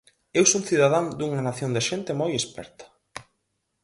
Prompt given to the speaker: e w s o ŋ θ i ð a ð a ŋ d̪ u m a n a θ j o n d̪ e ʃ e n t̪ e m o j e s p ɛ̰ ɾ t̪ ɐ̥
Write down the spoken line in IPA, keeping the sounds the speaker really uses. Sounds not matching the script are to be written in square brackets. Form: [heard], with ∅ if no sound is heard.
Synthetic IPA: e w s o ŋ θ i ð a ð a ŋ d̪ u [ŋ] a n a θ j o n d̪ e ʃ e n t̪ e m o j e s p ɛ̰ ɾ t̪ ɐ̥